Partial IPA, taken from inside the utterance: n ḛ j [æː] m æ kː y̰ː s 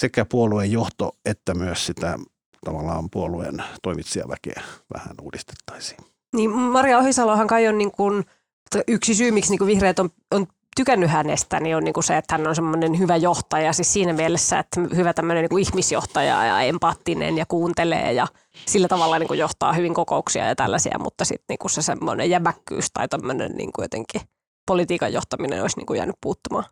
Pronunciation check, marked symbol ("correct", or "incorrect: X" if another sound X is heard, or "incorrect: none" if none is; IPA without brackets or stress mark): incorrect: æ